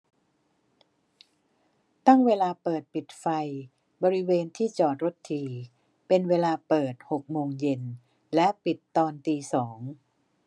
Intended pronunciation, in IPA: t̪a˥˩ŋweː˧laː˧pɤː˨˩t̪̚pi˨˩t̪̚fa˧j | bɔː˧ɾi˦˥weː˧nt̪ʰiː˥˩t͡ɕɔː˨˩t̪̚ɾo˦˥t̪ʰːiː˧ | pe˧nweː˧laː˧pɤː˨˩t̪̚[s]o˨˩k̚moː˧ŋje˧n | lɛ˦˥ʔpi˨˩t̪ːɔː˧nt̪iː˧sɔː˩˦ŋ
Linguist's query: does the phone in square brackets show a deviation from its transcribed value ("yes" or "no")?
yes